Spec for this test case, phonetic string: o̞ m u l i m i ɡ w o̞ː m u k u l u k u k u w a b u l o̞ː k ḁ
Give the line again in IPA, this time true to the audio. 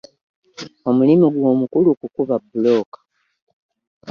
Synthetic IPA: o̞ m u l i m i ɡ w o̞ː m u k u l u k u k u β a b u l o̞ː k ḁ